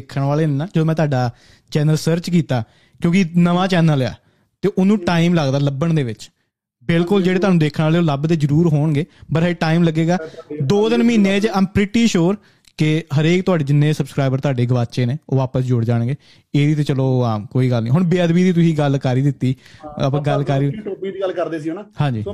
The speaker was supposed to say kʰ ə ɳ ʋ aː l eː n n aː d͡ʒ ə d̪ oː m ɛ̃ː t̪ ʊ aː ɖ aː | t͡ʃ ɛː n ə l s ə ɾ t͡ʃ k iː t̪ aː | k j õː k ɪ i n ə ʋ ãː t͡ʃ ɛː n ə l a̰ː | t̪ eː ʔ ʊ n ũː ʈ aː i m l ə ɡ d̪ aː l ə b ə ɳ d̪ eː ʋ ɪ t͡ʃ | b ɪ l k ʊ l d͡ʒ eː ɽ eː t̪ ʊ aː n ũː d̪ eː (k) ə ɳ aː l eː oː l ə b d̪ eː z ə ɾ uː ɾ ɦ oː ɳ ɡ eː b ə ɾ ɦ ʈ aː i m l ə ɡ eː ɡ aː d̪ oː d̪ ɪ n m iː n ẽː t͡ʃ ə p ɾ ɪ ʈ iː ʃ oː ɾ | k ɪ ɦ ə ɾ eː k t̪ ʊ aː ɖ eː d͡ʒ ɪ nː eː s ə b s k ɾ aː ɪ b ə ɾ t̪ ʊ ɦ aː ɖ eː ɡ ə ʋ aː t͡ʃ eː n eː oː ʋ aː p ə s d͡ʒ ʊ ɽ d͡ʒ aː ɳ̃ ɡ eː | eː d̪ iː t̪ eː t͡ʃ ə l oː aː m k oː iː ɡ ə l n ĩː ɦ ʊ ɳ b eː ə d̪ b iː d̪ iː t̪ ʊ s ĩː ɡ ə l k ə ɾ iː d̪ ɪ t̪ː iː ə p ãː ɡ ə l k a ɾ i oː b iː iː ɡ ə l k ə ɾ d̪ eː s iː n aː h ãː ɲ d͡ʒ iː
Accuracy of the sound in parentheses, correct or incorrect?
incorrect